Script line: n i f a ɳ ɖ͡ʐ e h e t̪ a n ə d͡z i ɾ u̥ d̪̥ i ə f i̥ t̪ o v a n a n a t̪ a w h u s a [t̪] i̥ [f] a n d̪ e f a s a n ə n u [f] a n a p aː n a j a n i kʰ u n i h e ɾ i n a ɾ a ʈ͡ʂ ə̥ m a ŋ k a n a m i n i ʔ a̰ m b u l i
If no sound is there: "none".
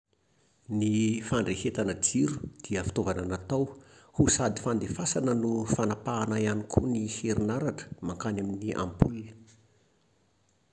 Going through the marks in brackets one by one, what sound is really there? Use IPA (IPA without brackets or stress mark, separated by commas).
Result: d̪, f, f